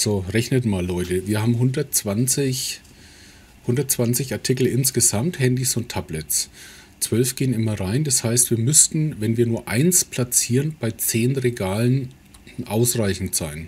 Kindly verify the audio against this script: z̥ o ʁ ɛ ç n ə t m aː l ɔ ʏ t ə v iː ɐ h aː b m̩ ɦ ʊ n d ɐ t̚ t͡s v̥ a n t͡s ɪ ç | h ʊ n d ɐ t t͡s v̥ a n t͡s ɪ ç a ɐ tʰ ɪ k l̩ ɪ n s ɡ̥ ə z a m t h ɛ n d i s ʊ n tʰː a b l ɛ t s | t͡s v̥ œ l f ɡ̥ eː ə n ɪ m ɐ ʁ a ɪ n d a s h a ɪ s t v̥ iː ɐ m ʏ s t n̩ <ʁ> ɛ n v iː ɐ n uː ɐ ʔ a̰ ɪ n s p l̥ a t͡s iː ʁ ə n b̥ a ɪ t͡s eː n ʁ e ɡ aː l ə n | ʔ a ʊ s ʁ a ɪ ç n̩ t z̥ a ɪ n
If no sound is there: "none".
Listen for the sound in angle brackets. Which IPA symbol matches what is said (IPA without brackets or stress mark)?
v